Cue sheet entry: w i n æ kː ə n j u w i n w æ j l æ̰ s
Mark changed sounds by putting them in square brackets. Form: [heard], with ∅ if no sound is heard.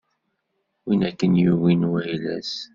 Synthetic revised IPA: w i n æ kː ə n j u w i n w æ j l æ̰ s